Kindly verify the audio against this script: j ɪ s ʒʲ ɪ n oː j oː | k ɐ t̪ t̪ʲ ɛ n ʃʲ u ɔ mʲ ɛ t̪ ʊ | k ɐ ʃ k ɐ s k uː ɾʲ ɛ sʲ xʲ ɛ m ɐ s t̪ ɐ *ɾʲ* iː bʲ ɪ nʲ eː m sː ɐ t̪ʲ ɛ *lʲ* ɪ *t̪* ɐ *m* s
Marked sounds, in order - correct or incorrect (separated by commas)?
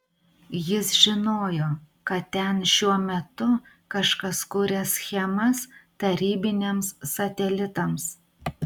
correct, correct, correct, correct